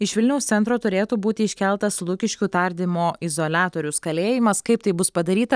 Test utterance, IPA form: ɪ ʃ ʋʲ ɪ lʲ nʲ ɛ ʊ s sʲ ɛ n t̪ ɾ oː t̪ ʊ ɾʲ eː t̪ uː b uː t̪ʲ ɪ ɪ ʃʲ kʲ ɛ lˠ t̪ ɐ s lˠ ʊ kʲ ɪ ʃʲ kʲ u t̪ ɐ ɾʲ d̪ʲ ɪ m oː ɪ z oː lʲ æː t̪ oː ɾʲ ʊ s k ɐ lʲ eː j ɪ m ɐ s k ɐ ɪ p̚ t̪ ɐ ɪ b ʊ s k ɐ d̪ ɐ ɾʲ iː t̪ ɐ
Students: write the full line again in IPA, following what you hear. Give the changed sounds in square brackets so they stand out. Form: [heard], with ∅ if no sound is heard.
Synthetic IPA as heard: ɪ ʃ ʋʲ ɪ lʲ nʲ ɛ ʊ s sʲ ɛ n t̪ ɾ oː t̪ ʊ ɾʲ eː t̪ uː b uː t̪ʲ ɪ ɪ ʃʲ kʲ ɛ lˠ t̪ ɐ s lˠ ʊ kʲ ɪ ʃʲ kʲ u t̪ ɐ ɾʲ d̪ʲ ɪ m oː ɪ z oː lʲ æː t̪ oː ɾʲ ʊ s k ɐ lʲ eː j ɪ m ɐ s k ɐ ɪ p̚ t̪ ɐ ɪ b ʊ s [p] ɐ d̪ ɐ ɾʲ iː t̪ ɐ

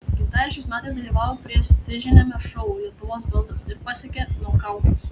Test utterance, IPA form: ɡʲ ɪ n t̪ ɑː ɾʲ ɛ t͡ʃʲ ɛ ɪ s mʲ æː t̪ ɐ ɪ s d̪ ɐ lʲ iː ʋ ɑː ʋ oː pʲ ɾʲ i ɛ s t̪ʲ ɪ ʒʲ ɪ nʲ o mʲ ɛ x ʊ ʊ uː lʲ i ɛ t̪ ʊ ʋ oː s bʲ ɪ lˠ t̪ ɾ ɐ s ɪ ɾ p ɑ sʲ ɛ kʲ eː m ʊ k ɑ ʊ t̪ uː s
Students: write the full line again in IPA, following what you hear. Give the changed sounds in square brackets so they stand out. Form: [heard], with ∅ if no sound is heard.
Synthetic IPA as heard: ɡʲ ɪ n t̪ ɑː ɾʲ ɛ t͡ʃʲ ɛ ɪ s mʲ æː t̪ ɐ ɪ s d̪ ɐ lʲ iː ʋ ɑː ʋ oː pʲ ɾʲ i ɛ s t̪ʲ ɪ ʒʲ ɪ nʲ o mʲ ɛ [ʃ] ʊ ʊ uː lʲ i ɛ t̪ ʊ ʋ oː s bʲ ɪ lˠ t̪ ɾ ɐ s ɪ ɾ p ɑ sʲ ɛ kʲ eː [n] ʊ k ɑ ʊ t̪ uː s

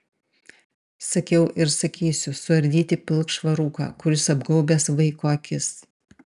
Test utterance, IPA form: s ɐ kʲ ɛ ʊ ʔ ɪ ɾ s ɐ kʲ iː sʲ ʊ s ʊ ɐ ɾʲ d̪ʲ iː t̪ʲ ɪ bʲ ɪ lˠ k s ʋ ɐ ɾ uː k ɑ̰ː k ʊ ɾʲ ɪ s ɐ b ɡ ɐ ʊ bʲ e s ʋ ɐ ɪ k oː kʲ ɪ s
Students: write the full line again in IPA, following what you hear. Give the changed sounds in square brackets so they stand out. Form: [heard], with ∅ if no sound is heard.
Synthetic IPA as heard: s ɐ kʲ ɛ ʊ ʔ ɪ ɾ s ɐ kʲ iː sʲ ʊ s ʊ ɐ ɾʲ d̪ʲ iː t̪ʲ ɪ [pʲ] ɪ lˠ k [ʃ] ʋ ɐ ɾ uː k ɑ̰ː k ʊ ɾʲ ɪ s ɐ b ɡ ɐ ʊ bʲ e s ʋ ɐ ɪ k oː kʲ ɪ s

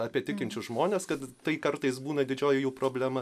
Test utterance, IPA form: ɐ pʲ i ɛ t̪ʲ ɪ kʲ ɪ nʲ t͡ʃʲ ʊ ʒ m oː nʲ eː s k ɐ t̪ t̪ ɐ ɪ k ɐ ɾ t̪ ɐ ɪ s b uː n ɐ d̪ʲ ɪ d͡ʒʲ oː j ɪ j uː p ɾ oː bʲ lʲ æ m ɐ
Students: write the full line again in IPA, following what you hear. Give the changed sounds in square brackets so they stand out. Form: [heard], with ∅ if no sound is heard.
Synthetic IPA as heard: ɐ pʲ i ɛ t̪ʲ ɪ kʲ ɪ nʲ t͡ʃʲ ʊ ʒ m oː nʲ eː s k ɐ t̪ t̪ ɐ ɪ k ɐ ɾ t̪ ɐ ɪ s b uː n ɐ d̪ʲ ɪ d͡ʒʲ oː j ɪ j uː p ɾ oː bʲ lʲ æ m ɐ

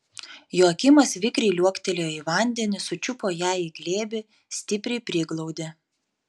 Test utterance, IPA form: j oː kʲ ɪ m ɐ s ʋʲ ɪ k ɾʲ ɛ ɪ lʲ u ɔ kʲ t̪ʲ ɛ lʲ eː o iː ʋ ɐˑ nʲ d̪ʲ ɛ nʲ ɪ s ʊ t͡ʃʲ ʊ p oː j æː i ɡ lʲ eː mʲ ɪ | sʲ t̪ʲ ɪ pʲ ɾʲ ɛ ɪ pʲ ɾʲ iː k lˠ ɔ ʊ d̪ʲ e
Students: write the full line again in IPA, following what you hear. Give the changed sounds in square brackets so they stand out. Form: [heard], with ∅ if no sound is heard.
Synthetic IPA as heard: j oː kʲ ɪ m ɐ s ʋʲ ɪ k ɾʲ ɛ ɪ lʲ u ɔ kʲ t̪ʲ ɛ lʲ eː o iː ʋ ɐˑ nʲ d̪ʲ ɛ nʲ ɪ s ʊ t͡ʃʲ ʊ p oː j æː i ɡ lʲ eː [bʲ] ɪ | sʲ t̪ʲ ɪ pʲ ɾʲ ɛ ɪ pʲ ɾʲ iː [ɡ] lˠ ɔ ʊ d̪ʲ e

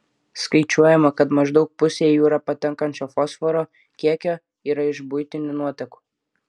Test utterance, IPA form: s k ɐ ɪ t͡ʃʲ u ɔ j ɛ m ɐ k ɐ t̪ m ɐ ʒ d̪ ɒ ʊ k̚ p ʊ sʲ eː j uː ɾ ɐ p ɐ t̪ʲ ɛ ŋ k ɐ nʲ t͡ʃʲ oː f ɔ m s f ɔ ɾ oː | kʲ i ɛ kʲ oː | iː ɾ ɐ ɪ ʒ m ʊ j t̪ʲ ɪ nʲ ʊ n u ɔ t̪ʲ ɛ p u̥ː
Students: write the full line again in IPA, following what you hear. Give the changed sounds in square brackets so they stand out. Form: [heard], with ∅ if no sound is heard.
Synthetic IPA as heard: s k ɐ ɪ t͡ʃʲ u ɔ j ɛ m ɐ k ɐ t̪ m ɐ ʒ d̪ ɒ ʊ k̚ p ʊ sʲ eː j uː ɾ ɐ p ɐ t̪ʲ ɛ ŋ k ɐ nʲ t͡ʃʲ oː f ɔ [∅] s f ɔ ɾ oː | kʲ i ɛ kʲ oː | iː ɾ ɐ ɪ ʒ [b] ʊ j t̪ʲ ɪ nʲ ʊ n u ɔ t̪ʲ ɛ [k] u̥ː

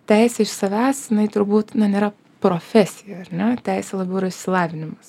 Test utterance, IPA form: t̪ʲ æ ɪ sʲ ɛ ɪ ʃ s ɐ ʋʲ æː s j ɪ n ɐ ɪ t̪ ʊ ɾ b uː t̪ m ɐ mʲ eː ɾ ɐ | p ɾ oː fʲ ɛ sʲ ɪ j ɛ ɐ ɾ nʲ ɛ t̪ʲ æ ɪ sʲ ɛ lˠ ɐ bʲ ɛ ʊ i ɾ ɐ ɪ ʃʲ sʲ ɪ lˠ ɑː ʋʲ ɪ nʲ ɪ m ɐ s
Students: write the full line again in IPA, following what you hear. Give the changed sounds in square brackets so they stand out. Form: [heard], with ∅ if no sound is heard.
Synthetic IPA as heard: t̪ʲ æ ɪ sʲ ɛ ɪ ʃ s ɐ ʋʲ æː s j ɪ n ɐ ɪ t̪ ʊ ɾ b uː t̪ [n] ɐ [nʲ] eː ɾ ɐ | p ɾ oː fʲ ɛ sʲ ɪ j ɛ ɐ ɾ nʲ ɛ t̪ʲ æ ɪ sʲ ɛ lˠ ɐ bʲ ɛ ʊ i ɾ ɐ ɪ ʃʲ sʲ ɪ lˠ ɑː ʋʲ ɪ nʲ ɪ m ɐ s

